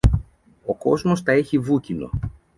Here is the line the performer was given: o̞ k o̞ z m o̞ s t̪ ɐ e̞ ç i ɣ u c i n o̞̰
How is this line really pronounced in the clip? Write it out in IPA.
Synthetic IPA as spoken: o̞ k o̞ z m o̞ s t̪ ɐ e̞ ç i v u c i n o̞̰